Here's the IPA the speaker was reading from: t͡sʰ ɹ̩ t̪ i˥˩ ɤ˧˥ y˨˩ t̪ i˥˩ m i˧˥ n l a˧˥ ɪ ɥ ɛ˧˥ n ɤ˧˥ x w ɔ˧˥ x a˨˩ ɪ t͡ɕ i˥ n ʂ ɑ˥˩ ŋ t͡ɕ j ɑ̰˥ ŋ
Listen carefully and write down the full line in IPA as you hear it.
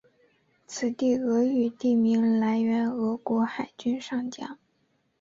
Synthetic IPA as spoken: t͡sʰ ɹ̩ t̪ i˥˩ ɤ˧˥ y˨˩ t̪ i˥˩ m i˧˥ ŋ l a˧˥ ɪ ɥ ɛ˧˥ n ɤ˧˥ k w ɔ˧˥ x a˨˩ ɪ t͡ɕ y˥ n ʂ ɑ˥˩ ŋ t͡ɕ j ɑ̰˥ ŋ

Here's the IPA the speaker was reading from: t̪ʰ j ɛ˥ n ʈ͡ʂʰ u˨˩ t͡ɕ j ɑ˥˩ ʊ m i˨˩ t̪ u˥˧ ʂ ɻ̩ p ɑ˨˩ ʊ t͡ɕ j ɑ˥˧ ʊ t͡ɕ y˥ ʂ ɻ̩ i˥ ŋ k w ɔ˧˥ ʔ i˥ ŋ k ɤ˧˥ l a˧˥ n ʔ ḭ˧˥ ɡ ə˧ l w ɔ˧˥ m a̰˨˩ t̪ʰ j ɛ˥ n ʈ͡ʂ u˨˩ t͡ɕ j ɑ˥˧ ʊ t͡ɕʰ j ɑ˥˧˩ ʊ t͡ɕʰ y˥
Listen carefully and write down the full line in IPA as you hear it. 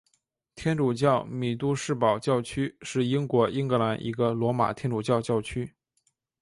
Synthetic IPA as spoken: t̪ʰ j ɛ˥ n ʈ͡ʂ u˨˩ t͡ɕ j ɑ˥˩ ʊ m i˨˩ t̪ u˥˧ ʂ ɻ̩ p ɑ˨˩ ʊ t͡ɕ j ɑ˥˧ ʊ t͡ɕʰ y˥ ʂ ɻ̩ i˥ ŋ k w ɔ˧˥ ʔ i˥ ŋ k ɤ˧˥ l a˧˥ n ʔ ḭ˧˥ ɡ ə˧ l w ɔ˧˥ m a̰˨˩ t̪ʰ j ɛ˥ n ʈ͡ʂ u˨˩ t͡ɕ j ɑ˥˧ ʊ t͡ɕ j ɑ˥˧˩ ʊ t͡ɕʰ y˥

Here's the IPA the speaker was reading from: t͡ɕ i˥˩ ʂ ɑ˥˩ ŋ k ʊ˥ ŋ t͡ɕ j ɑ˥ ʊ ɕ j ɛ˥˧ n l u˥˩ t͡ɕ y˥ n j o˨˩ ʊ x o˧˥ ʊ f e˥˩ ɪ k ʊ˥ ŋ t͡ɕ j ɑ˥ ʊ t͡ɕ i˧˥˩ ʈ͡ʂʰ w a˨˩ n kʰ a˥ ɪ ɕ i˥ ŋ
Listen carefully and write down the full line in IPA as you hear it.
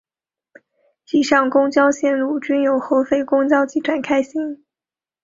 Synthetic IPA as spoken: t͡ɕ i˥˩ ʂ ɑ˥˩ ŋ k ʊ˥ ŋ t͡ɕ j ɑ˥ ʊ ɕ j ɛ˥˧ n l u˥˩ t͡ɕ y˥ n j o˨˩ ʊ x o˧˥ ʊ f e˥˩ ɪ k ʊ˥ ŋ t͡ɕ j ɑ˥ ʊ t͡ɕ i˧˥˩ ʈ͡ʂʰ w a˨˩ n kʰ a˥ ɪ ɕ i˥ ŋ

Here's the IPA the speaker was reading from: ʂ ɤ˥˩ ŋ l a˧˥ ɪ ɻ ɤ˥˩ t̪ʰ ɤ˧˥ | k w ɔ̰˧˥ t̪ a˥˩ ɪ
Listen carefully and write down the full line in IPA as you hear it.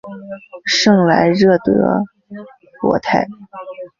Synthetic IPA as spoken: ʂ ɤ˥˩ ŋ l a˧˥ ɪ ɻ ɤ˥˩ t̪ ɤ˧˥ | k w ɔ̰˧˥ t̪ʰ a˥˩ ɪ

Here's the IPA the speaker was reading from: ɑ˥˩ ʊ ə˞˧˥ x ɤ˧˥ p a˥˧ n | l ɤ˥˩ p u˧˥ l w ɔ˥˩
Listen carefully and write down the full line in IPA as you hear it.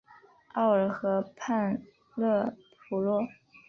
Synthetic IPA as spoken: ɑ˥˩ ʊ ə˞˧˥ x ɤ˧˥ pʰ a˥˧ n | l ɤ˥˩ pʰ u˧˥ l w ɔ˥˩

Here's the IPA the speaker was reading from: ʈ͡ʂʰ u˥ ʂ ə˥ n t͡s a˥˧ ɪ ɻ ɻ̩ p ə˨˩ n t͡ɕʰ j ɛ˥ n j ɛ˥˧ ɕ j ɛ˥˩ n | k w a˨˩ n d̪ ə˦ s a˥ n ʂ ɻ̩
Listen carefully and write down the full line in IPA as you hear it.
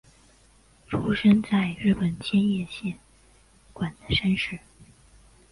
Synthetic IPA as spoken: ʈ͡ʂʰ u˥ ʂ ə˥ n t͡s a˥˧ ɪ ɻ ɻ̩ p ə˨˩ n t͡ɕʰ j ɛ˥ n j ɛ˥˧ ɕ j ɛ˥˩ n | k w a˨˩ n d̪ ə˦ ʂ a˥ n ʂ ɻ̩

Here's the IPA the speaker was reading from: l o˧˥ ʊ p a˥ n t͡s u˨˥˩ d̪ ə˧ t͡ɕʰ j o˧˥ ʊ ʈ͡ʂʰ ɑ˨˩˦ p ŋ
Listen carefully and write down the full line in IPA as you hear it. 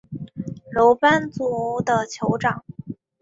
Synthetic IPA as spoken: l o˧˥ ʊ p a˥ n t͡s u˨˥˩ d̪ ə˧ t͡ɕʰ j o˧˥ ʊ ʈ͡ʂ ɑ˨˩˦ ŋ

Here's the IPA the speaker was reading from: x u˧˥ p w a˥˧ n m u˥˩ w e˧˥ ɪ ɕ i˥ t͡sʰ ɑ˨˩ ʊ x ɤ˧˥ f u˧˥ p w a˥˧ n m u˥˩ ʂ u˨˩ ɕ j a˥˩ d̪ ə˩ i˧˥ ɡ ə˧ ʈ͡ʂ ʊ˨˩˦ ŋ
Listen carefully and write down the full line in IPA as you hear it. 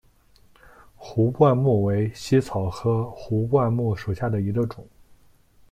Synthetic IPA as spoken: x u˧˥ p w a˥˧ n m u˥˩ w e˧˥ ɪ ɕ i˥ t͡sʰ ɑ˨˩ ʊ x ɤ˧˥ x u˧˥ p w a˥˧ n m u˥˩ ʂ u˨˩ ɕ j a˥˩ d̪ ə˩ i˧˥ ɡ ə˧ ʈ͡ʂ ʊ˨˩˦ ŋ

